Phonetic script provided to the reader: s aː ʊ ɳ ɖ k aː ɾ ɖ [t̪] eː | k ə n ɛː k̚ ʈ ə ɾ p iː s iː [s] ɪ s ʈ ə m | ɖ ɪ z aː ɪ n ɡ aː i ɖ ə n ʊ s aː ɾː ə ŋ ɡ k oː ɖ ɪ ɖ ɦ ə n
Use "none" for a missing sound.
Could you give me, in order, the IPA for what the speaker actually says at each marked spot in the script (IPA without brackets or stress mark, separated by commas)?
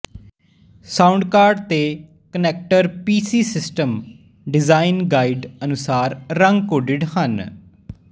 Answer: t̪, s